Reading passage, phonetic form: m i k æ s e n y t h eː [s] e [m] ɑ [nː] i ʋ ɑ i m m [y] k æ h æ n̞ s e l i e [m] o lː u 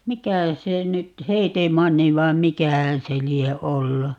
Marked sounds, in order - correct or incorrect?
incorrect: t, correct, correct, incorrect: i, incorrect: none

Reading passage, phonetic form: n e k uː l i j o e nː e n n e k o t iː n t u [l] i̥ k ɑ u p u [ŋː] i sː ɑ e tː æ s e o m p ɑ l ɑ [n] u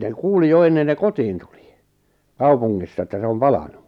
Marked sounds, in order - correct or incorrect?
correct, correct, correct

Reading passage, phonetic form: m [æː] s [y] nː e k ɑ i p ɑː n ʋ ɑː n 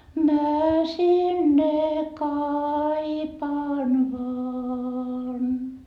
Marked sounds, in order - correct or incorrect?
incorrect: æ, incorrect: i

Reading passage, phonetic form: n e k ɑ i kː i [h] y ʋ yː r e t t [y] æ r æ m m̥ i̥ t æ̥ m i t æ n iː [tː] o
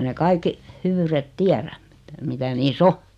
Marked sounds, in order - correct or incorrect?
correct, incorrect: i, incorrect: sː

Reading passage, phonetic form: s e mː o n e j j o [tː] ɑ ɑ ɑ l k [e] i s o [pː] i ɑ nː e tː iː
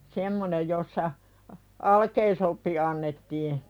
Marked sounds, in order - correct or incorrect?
incorrect: sː, correct, correct

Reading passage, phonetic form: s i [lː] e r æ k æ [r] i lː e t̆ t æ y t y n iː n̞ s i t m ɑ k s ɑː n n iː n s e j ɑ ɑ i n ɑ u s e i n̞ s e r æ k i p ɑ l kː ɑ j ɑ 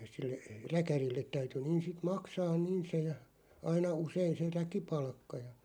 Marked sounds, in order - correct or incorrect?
correct, correct

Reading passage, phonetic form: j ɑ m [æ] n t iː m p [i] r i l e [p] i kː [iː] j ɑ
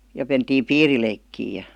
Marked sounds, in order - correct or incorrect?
incorrect: e, incorrect: iː, incorrect: none, correct

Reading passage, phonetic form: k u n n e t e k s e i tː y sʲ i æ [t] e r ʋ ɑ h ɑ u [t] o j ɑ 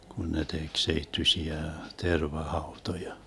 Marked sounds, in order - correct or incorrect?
correct, correct

